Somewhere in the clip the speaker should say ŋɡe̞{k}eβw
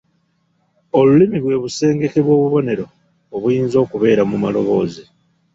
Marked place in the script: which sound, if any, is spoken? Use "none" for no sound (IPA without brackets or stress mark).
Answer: k